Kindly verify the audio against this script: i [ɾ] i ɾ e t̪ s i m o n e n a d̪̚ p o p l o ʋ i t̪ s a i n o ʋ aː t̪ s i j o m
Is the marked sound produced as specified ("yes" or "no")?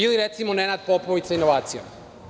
no